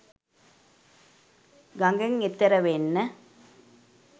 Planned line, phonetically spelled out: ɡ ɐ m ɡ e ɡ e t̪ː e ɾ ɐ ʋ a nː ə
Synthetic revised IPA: ɡ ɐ ŋ ɡ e ŋ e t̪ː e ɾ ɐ ʋ e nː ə